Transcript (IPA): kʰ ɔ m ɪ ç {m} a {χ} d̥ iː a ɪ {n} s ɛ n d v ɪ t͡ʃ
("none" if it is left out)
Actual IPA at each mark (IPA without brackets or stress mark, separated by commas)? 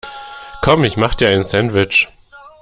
m, χ, n